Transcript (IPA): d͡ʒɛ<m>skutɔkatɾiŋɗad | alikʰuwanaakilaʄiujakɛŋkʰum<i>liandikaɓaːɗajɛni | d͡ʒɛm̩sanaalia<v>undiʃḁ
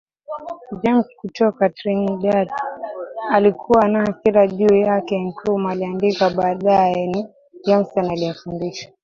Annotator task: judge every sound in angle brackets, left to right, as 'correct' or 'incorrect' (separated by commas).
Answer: correct, incorrect, incorrect